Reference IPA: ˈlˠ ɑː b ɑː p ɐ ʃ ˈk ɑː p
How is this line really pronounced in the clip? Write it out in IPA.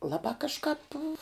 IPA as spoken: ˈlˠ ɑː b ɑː k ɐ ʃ ˈk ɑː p

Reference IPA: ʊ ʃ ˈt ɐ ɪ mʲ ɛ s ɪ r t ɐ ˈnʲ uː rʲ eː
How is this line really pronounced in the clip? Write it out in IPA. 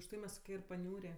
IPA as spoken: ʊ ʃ ˈt ɐ ɪ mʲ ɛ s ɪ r p ɐ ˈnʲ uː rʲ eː

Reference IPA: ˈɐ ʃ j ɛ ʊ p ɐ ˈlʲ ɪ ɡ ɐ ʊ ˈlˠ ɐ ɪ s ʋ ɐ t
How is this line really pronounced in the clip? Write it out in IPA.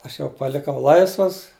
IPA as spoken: ˈɐ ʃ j ɛ ʊ p ɐ ˈlʲ ɪ k ɐ ʊ ˈlˠ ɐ ɪ s ʋ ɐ s

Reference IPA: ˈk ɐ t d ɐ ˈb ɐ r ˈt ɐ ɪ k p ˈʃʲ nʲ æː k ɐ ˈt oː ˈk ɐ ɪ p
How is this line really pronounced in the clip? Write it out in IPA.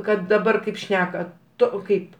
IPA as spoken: ˈk ɐ t d ɐ ˈb ɐ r ˈk ɐ ɪ p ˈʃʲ nʲ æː k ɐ ˈt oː ˈk ɐ ɪ p

